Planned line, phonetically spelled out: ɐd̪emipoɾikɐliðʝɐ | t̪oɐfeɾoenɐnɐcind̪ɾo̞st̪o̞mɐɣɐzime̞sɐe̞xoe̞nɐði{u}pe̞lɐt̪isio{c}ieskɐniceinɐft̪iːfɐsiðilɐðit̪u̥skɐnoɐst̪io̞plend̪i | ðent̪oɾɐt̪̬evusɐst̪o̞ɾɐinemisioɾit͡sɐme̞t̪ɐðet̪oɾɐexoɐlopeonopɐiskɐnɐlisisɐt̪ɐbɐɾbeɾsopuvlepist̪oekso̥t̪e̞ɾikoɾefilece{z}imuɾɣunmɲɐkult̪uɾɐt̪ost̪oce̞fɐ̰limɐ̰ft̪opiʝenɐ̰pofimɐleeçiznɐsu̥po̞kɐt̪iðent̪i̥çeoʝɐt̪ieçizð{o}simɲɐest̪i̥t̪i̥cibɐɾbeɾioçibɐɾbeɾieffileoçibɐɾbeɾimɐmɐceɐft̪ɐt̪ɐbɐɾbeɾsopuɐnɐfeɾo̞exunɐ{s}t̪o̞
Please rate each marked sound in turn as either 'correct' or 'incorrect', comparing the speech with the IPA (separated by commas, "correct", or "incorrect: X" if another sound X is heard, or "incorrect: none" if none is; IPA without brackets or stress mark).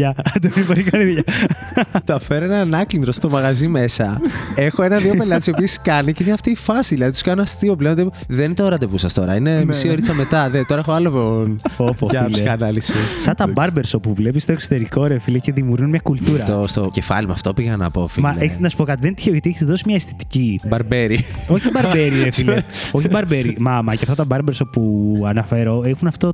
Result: incorrect: o, incorrect: p, incorrect: ð, correct, incorrect: f